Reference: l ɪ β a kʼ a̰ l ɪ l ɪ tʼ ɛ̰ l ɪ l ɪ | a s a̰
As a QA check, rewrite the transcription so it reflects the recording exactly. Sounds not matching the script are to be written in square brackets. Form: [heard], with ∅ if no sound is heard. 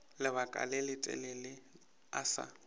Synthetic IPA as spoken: l ɪ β a kʼ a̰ l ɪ l ɪ tʼ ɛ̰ l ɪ l ɪ | a s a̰